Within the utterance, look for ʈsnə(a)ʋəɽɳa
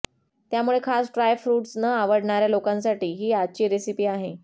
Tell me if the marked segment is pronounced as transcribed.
yes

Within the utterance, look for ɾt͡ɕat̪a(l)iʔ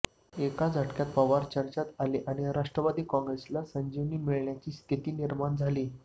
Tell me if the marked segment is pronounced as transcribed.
yes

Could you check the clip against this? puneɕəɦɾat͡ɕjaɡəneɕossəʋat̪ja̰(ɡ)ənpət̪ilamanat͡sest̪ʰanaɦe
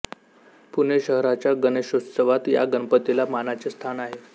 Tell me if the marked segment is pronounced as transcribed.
yes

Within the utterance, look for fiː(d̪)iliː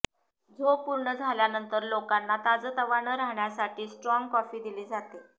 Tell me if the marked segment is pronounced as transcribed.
yes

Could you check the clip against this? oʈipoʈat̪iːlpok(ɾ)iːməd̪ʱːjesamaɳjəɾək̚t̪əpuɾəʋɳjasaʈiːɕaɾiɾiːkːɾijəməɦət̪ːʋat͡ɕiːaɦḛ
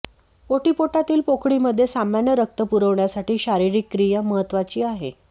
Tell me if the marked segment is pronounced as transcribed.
no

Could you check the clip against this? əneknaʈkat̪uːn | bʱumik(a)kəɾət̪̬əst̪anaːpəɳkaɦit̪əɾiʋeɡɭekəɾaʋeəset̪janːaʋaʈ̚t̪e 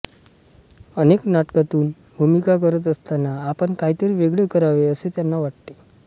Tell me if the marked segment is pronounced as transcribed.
yes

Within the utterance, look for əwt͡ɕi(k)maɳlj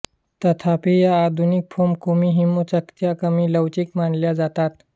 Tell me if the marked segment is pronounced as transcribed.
yes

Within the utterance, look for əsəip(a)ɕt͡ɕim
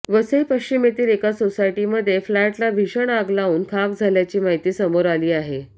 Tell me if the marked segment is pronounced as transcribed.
no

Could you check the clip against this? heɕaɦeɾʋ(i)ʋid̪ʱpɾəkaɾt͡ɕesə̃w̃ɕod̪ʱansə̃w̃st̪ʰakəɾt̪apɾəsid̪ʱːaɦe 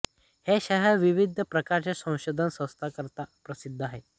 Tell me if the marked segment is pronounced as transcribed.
yes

